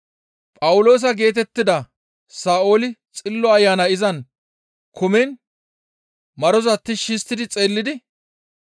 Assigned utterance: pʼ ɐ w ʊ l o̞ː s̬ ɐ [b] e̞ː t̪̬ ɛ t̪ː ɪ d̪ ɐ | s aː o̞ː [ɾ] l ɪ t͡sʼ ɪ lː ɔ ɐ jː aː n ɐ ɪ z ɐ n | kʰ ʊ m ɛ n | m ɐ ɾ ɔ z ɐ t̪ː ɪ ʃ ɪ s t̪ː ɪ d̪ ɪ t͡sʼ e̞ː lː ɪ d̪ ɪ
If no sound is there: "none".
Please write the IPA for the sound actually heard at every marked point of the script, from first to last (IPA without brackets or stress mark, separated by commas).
ɡ, none